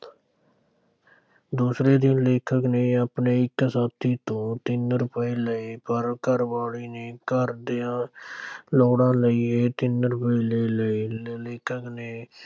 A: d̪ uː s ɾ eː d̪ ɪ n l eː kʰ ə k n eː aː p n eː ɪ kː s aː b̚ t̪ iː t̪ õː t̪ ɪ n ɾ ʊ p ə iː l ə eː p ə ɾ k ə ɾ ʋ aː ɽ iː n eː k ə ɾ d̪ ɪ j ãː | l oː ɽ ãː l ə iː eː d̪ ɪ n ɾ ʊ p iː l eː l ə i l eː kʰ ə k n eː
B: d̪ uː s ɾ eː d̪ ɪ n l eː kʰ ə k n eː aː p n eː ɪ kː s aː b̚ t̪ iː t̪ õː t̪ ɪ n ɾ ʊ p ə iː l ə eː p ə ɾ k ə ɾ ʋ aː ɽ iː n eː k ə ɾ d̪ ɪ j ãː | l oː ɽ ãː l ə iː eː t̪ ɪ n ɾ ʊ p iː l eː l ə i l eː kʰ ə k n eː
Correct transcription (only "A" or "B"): B